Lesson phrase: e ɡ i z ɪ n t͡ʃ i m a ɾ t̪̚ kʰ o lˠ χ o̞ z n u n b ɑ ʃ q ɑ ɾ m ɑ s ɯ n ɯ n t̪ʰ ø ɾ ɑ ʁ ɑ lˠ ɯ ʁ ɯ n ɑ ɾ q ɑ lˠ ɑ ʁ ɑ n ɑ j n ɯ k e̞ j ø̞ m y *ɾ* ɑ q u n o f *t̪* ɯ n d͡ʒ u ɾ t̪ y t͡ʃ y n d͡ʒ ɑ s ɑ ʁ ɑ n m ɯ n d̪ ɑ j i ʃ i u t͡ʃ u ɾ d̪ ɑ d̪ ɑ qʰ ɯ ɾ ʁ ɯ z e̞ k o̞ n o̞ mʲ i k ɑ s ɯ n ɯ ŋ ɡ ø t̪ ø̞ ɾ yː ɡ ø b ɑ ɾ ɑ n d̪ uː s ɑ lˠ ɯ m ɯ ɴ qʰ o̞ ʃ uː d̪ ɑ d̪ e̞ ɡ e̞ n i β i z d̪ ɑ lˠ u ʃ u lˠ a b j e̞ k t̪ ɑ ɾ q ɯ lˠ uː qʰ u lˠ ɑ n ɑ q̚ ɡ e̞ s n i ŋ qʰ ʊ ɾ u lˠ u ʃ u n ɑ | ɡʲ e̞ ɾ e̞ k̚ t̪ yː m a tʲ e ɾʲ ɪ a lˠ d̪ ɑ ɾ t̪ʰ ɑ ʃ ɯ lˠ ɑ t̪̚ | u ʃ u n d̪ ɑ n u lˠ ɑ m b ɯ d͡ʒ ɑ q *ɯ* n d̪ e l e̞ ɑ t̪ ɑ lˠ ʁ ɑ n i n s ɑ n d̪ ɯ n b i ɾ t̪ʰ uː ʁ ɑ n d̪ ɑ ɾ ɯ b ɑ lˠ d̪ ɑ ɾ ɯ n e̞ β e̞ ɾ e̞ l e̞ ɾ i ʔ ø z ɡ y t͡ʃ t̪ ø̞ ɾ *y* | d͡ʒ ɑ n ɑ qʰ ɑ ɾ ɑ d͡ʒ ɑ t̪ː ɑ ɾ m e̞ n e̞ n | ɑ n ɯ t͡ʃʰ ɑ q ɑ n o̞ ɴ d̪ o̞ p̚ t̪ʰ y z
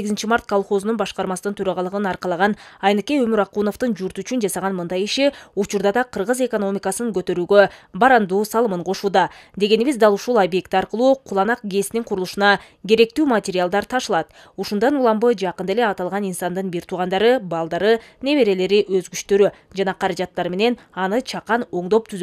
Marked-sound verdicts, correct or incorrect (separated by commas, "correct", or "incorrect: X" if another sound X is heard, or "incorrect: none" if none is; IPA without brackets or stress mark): correct, correct, correct, correct